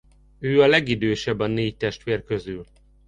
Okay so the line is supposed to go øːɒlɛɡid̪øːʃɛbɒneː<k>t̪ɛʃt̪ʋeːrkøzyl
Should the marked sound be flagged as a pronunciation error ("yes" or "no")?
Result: yes